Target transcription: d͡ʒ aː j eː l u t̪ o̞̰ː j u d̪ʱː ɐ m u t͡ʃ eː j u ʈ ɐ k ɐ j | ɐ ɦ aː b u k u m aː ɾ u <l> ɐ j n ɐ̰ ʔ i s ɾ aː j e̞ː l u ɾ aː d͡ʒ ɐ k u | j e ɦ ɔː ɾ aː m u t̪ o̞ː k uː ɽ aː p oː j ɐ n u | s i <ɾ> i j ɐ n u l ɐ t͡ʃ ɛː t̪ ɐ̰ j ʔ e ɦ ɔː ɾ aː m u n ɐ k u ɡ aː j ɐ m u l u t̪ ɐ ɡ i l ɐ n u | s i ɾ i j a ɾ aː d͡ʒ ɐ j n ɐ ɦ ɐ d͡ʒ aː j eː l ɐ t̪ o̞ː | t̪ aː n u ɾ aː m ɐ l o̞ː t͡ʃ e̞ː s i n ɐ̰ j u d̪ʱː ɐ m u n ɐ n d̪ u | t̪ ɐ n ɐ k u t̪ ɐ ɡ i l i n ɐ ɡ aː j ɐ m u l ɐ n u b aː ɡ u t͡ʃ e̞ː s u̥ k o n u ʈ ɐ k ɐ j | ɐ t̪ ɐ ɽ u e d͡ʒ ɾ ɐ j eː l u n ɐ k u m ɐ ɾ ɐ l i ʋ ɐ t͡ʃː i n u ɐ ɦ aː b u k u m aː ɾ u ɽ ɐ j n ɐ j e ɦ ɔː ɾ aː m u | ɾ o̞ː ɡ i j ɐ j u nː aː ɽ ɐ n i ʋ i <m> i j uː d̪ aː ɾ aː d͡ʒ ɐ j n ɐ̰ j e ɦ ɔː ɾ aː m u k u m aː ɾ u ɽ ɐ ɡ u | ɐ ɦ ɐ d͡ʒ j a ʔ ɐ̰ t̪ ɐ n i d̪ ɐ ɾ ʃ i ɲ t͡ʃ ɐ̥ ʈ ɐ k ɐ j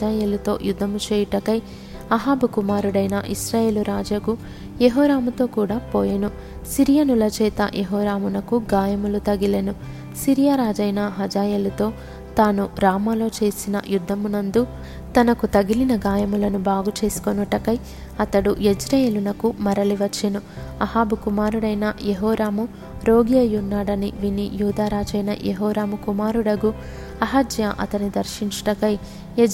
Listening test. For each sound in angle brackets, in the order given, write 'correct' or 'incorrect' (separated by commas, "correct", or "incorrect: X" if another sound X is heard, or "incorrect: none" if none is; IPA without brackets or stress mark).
incorrect: ɽ, correct, incorrect: n